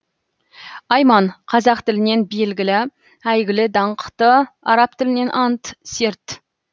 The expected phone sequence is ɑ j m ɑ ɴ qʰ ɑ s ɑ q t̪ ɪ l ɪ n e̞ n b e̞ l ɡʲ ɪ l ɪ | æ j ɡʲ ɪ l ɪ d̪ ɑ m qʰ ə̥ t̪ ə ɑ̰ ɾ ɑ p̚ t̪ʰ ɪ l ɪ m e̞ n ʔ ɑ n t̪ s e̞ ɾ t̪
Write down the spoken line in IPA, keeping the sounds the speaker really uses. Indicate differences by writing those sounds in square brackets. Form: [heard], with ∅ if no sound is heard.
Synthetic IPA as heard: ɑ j m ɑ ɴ qʰ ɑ [z] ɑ q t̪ ɪ l ɪ n e̞ n b e̞ l ɡʲ ɪ l ɪ | æ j ɡʲ ɪ l ɪ d̪ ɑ [ɴ] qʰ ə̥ t̪ ə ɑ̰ ɾ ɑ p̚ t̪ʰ ɪ l ɪ [n] e̞ n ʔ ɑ n t̪ s e̞ ɾ t̪